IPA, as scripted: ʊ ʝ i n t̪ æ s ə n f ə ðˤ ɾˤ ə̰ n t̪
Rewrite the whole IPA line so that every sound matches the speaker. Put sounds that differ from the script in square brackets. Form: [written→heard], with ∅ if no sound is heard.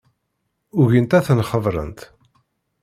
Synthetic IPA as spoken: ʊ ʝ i n t̪ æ [s→θ] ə n [f→χ] ə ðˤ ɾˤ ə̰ n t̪